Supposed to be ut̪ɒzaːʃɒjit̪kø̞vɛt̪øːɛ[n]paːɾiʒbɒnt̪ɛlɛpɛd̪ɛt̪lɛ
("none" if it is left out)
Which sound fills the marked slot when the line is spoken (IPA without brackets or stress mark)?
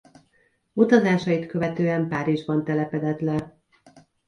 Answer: m